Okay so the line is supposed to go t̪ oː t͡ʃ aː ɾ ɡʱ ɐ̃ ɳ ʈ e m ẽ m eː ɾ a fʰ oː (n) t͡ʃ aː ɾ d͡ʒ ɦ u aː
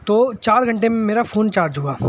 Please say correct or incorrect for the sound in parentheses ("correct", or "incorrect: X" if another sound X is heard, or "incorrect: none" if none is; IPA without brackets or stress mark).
correct